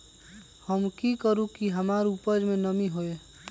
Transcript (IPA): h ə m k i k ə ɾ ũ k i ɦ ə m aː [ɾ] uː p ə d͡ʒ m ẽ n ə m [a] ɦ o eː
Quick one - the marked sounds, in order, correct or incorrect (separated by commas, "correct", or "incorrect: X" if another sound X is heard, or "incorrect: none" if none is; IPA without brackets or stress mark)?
correct, incorrect: i